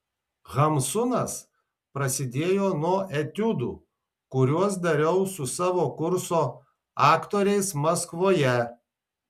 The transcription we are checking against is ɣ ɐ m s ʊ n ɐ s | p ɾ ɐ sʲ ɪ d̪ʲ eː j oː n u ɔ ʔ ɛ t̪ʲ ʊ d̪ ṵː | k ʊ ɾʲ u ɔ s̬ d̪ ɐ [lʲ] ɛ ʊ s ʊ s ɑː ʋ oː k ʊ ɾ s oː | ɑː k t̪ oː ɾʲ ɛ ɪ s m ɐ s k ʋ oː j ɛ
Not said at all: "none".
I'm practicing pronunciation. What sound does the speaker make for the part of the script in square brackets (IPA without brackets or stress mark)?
ɾʲ